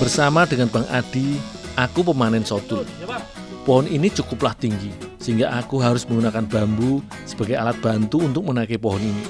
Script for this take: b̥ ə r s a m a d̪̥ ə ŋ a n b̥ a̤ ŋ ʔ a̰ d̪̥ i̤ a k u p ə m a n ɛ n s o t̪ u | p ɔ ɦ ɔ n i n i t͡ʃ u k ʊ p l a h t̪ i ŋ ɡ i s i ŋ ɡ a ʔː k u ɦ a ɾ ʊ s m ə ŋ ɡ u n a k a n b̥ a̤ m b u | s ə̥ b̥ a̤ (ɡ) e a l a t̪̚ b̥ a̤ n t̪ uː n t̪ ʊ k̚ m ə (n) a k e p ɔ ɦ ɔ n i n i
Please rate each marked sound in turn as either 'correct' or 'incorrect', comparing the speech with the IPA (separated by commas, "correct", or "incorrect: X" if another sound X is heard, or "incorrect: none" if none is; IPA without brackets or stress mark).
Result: correct, correct